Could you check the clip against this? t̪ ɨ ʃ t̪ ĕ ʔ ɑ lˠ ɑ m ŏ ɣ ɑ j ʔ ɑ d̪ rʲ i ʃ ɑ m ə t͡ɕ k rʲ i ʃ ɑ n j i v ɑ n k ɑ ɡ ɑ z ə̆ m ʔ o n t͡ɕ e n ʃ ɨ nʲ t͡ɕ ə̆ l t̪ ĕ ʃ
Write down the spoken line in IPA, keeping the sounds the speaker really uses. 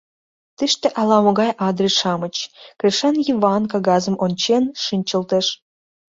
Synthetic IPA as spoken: t̪ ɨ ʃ t̪ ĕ ʔ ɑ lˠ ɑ m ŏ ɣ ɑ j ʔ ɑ d̪ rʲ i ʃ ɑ m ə t͡ɕ k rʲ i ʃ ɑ n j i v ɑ n k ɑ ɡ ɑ z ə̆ m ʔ o n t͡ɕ e n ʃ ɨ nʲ t͡ɕ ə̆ l t̪ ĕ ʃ